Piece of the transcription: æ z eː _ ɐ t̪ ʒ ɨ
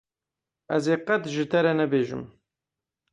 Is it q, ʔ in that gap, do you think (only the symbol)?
q